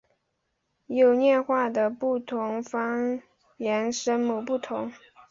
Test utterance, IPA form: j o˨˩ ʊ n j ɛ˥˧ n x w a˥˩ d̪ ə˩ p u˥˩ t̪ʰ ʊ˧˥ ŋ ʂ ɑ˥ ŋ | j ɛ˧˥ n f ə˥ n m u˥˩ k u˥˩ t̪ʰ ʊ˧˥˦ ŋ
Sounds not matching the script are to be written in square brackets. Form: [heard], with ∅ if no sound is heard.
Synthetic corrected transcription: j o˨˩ ʊ n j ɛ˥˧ n x w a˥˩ d̪ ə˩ p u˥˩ t̪ʰ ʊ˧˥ ŋ [f] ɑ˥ ŋ | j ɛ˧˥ n [ʂ] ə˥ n m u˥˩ [p] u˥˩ t̪ʰ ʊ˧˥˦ ŋ

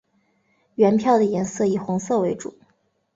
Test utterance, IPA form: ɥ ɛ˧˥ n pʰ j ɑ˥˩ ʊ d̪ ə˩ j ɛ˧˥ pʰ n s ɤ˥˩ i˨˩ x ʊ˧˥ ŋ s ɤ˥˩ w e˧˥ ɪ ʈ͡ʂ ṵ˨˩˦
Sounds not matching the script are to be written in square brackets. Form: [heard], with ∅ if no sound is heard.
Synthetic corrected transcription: ɥ ɛ˧˥ n pʰ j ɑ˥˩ ʊ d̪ ə˩ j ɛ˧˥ [∅] n s ɤ˥˩ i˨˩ x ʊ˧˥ ŋ s ɤ˥˩ w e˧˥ ɪ ʈ͡ʂ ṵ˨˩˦

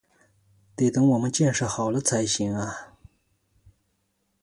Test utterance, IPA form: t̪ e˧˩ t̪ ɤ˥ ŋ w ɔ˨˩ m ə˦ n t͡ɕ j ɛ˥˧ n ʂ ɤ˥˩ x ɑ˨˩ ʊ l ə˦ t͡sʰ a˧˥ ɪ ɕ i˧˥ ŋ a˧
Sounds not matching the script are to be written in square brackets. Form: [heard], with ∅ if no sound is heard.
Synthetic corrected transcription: t̪ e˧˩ t̪ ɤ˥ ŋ w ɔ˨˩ m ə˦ n t͡ɕ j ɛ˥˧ n ʂ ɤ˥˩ x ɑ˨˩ ʊ l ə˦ t͡sʰ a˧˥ ɪ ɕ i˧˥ ŋ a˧

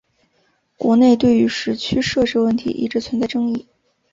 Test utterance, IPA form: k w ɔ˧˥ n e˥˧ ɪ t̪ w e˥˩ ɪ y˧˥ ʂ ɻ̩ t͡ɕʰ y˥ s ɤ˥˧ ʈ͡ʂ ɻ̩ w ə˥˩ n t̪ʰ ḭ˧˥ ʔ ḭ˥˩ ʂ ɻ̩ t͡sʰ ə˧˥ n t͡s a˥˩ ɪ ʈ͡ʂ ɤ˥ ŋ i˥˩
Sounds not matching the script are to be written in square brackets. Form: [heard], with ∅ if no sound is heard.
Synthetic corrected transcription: k w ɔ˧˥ n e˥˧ ɪ t̪ w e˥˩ ɪ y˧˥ ʂ ɻ̩ t͡ɕʰ y˥ [ʂ] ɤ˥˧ ʈ͡ʂ ɻ̩ w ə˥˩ n t̪ʰ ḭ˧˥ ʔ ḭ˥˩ [ʈ͡ʂ] ɻ̩ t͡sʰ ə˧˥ n t͡s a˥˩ ɪ ʈ͡ʂ ɤ˥ ŋ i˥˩

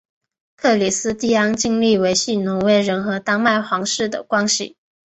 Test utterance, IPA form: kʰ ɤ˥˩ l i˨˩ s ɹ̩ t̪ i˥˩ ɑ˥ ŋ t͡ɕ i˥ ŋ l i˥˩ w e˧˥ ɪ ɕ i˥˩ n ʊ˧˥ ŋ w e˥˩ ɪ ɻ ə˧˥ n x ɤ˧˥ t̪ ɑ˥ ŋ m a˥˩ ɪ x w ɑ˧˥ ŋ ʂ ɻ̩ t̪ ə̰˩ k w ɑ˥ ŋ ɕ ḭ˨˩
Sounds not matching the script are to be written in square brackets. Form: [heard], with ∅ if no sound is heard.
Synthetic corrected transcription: kʰ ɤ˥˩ l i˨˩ s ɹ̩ t̪ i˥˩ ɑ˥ ŋ t͡ɕ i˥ ŋ l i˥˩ w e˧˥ ɪ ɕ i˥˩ n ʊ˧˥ ŋ w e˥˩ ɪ ɻ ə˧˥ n x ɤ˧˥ t̪ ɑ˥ ŋ m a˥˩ ɪ x w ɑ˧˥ ŋ ʂ ɻ̩ [d̪] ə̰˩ k w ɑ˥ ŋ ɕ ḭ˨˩

